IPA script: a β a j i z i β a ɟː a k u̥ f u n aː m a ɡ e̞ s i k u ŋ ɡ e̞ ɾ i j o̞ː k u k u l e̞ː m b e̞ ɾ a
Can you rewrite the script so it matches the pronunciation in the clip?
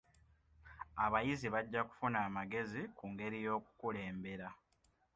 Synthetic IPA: a β a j i z i β a ɟː a k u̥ f u n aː m a ɡ e̞ z i k u ŋ ɡ e̞ ɾ i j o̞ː k u k u l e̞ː m b e̞ ɾ a